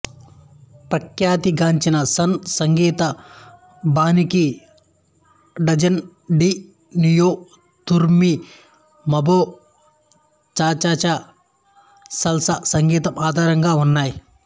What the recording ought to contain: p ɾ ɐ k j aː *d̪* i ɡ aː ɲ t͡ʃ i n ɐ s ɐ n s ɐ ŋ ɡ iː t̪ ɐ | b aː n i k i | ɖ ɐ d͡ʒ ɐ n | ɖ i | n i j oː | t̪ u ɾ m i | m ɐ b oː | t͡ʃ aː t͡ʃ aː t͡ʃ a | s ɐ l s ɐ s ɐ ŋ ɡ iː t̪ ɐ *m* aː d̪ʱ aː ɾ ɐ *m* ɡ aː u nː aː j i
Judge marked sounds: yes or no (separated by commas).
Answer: no, yes, no